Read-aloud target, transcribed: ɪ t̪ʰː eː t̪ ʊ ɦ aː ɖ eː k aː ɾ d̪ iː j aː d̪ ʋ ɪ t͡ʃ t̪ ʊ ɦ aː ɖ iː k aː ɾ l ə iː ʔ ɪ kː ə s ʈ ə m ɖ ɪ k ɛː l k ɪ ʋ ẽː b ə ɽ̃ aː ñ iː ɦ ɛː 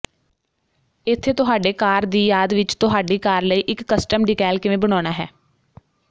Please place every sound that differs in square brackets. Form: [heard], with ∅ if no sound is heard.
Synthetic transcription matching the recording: ɪ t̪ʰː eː t̪ ʊ ɦ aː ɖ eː k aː ɾ d̪ iː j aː d̪ ʋ ɪ t͡ʃ t̪ ʊ ɦ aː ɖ iː k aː ɾ l ə iː ʔ ɪ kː ə s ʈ ə m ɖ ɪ k ɛː l k ɪ ʋ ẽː b ə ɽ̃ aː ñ [aː] ɦ ɛː